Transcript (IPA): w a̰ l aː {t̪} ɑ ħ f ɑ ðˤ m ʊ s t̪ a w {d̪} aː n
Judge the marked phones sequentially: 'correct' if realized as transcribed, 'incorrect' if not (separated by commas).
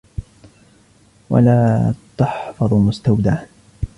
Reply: correct, correct